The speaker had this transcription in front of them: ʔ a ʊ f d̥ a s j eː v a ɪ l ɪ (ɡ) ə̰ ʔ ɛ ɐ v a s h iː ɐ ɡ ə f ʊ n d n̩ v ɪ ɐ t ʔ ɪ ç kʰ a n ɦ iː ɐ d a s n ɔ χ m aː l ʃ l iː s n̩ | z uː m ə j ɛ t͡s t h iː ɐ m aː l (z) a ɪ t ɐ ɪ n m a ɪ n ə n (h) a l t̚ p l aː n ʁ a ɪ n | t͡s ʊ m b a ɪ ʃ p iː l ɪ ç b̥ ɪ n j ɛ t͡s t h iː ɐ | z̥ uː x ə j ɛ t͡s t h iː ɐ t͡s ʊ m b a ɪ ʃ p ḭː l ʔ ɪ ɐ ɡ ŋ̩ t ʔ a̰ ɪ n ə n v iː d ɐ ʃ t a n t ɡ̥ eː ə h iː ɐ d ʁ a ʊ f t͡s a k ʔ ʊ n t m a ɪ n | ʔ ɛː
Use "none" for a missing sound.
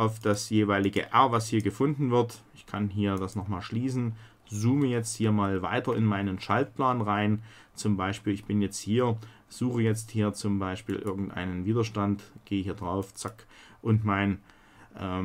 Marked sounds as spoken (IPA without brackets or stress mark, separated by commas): ɡ, v, ʃ